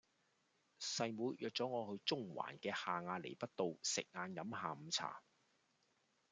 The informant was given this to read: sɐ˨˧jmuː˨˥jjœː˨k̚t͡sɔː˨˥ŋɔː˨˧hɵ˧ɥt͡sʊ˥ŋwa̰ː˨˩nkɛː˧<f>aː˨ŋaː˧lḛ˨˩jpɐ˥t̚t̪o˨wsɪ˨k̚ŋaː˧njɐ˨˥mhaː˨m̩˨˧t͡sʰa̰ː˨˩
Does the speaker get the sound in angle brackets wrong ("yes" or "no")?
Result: yes